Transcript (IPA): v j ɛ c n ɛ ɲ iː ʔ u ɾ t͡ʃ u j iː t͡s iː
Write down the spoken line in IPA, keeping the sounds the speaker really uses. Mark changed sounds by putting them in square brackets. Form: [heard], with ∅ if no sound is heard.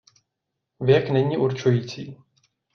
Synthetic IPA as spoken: v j ɛ [k] n ɛ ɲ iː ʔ u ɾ t͡ʃ u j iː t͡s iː